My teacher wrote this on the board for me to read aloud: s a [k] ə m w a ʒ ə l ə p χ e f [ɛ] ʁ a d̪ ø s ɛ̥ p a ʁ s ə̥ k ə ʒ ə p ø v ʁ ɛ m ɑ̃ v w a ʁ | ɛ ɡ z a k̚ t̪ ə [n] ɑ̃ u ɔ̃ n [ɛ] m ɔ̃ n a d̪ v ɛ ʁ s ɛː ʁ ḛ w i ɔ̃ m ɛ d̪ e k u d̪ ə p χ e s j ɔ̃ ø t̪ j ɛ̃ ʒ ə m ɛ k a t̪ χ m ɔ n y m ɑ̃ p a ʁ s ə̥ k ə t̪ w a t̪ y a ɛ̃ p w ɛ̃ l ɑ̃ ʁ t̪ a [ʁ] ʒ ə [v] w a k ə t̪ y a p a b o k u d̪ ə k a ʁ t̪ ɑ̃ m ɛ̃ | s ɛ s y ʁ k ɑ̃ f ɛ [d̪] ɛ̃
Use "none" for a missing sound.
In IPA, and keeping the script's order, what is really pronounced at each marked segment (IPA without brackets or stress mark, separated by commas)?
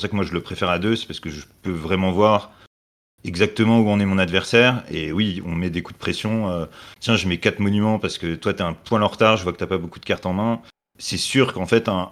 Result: k, ɛ, m, ɛ, ʁ, v, t̪